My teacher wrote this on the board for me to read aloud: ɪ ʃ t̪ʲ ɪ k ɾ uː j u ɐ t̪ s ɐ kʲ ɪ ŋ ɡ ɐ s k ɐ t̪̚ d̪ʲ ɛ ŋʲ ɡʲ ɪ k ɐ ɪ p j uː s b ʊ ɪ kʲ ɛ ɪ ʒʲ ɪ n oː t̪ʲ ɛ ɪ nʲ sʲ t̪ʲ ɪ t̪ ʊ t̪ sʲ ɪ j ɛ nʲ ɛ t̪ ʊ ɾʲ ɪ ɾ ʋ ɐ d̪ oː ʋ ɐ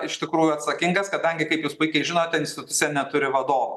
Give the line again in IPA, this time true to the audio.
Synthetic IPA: ɪ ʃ t̪ʲ ɪ k ɾ uː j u ɐ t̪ s ɐ kʲ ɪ ŋ ɡ ɐ s k ɐ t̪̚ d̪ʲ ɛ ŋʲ ɡʲ ɪ k ɐ ɪ p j uː s p ʊ ɪ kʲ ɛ ɪ ʒʲ ɪ n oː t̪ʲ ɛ ɪ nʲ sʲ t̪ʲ ɪ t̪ ʊ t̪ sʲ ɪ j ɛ nʲ ɛ t̪ ʊ ɾʲ ɪ ʋ ɐ d̪ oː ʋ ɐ